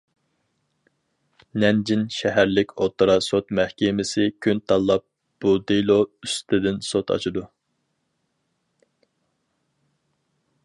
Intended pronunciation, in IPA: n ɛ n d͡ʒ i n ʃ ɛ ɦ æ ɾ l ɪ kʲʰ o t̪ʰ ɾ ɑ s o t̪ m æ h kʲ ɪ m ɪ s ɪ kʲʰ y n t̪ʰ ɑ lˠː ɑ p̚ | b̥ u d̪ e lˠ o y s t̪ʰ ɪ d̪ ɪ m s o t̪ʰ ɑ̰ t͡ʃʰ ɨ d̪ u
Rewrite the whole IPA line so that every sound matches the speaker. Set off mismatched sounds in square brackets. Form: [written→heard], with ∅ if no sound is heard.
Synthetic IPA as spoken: n ɛ n d͡ʒ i n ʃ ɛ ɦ æ ɾ l ɪ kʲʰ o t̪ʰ ɾ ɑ s o t̪ m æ h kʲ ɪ m ɪ s ɪ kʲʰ y n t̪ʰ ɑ lˠː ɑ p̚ | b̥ u d̪ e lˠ o y s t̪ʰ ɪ d̪ ɪ [m→n] s o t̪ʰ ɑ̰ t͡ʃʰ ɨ d̪ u